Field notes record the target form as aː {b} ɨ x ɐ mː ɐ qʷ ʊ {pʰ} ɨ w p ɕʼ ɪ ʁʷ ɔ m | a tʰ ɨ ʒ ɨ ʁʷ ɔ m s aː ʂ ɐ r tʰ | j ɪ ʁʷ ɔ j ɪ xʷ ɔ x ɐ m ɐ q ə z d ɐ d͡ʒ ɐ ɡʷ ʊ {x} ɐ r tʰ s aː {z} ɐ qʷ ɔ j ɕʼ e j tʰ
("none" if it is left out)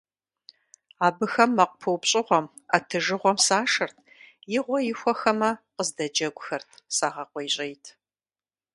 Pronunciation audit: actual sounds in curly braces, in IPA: b, pʰ, x, ʁ

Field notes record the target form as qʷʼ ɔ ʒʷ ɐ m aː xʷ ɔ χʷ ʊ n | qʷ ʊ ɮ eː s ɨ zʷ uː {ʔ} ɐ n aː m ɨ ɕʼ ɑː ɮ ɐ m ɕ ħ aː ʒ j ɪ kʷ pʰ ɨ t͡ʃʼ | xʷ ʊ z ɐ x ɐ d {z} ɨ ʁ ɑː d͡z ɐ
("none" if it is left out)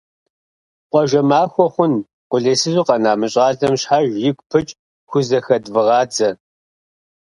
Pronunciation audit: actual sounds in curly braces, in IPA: q, v

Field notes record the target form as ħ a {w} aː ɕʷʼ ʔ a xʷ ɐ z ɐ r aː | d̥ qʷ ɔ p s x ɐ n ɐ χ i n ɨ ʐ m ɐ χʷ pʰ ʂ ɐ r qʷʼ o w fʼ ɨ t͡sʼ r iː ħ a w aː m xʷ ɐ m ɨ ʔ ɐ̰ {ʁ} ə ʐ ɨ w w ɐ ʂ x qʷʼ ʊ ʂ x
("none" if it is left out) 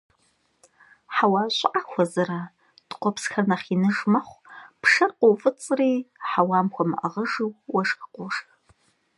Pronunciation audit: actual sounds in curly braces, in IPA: w, ʁ

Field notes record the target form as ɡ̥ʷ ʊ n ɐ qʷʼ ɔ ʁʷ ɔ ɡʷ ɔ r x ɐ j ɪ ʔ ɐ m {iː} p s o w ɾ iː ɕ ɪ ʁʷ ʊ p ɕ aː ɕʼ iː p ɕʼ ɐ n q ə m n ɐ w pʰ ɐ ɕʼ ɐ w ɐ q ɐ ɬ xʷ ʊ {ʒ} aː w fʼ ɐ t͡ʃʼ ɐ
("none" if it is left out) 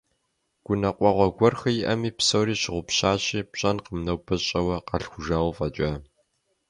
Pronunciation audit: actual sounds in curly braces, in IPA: iː, ʒ

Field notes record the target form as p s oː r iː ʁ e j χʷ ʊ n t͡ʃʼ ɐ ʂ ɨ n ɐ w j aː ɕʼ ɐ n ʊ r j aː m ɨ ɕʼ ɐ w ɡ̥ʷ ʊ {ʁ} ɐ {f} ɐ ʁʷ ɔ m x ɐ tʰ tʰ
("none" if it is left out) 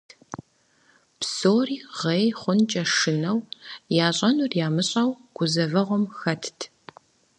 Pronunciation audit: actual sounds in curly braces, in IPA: z, v

